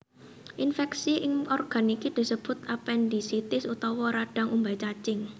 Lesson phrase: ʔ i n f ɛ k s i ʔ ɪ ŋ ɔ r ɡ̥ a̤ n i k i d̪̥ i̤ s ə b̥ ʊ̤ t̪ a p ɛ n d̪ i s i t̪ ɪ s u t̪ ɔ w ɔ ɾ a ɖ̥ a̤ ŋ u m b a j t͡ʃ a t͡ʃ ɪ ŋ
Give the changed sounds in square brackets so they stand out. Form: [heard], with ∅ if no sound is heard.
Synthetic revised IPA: ʔ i n f ɛ k s i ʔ ɪ ŋ ɔ r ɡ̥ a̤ n i k i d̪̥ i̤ s ə b̥ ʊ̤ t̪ a p ɛ n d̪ i s i t̪ ɪ s u t̪ ɔ w ɔ ɾ a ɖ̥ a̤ ŋ u m b a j t͡ʃ a t͡ʃ ɪ ŋ